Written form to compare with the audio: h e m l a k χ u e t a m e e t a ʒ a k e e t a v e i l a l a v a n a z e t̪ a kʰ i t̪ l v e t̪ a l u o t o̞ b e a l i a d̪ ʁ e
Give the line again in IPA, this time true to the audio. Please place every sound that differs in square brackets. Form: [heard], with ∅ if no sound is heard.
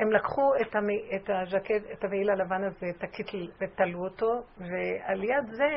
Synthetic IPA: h e m l a k χ u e t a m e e t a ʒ a k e e t a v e i l a l a v a n a z e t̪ a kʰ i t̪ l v e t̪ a l u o t o̞ [v] e a l [j] a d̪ [z] e